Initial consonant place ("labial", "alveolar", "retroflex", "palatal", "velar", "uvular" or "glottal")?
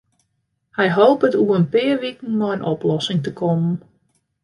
glottal